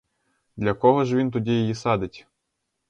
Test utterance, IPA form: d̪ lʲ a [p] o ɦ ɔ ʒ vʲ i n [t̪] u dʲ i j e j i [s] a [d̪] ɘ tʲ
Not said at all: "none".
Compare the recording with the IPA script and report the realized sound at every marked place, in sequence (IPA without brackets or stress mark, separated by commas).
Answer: k, t̪, s, d̪